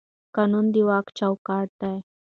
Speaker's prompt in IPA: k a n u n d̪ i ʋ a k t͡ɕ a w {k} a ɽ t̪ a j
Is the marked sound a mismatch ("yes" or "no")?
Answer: no